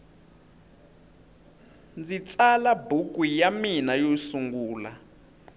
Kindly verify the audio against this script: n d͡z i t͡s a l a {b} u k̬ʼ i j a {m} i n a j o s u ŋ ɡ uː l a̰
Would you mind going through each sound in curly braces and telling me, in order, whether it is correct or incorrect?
correct, correct

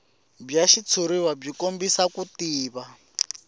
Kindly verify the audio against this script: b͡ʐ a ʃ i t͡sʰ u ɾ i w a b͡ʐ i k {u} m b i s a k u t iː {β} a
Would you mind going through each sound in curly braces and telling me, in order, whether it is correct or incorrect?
incorrect: o, correct

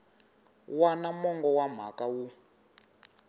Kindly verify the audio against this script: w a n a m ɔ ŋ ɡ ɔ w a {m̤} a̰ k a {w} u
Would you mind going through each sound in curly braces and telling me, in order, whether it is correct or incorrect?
correct, correct

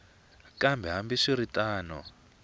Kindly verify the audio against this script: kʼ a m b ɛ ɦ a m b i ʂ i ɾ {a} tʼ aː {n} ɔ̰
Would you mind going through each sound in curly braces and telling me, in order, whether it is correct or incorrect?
incorrect: i, correct

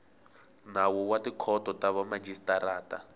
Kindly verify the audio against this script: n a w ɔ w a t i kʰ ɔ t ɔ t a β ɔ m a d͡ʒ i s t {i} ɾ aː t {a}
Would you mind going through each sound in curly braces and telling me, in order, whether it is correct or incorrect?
incorrect: a, correct

